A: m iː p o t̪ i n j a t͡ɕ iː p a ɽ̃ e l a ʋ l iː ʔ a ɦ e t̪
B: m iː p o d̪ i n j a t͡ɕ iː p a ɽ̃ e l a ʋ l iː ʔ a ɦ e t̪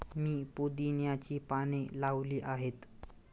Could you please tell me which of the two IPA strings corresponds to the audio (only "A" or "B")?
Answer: B